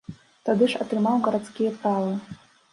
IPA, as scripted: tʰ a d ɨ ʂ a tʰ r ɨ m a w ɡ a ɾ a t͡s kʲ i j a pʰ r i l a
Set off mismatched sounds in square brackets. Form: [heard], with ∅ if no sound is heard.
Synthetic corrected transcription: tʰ a d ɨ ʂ a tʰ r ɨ m a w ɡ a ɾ a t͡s kʲ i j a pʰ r [a] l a